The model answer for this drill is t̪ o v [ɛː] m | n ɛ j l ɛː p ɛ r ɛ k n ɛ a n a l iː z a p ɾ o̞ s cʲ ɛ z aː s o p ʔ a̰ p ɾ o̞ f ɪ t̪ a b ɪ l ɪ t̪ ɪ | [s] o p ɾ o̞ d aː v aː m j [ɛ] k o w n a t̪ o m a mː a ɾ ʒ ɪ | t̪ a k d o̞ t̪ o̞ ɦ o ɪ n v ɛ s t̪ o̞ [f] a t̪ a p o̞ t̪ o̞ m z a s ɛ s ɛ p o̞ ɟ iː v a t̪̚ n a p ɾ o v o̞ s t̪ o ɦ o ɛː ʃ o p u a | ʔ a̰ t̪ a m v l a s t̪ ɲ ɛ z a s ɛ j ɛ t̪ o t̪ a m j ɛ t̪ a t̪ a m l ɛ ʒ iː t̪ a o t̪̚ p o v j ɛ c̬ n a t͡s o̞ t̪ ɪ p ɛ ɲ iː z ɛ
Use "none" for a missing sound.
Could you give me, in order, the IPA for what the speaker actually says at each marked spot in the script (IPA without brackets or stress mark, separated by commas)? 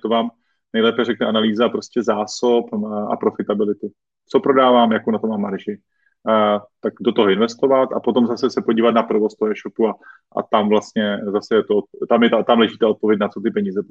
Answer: aː, t͡s, a, v